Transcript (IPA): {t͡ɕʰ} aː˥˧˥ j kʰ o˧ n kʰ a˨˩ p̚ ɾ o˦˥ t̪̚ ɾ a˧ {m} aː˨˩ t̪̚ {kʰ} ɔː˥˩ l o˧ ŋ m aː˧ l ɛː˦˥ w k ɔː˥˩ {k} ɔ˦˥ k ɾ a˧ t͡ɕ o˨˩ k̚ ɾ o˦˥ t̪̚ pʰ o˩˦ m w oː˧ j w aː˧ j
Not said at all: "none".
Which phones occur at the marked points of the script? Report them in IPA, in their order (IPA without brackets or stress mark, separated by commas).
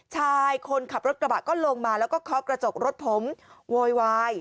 t͡ɕʰ, b, k, kʰ